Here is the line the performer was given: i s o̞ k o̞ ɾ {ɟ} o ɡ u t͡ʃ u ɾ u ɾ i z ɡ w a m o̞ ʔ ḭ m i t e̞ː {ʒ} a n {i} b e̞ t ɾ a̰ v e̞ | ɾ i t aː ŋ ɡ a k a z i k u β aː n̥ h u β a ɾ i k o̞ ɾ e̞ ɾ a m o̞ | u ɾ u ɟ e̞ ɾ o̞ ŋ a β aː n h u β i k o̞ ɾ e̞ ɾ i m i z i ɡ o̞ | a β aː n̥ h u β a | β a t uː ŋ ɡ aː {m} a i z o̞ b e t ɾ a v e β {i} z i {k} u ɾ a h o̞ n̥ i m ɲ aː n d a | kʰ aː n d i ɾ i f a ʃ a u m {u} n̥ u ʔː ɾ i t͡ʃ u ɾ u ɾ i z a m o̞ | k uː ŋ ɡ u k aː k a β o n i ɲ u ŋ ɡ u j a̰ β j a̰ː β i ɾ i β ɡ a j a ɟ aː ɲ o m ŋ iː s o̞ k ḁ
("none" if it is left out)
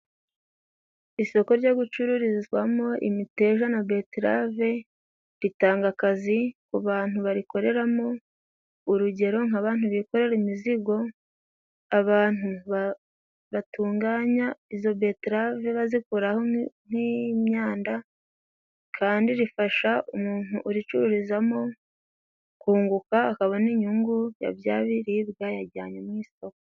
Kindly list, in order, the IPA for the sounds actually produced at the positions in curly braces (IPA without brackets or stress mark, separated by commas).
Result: ɟ, ʒ, a, ɲ, a, k, uː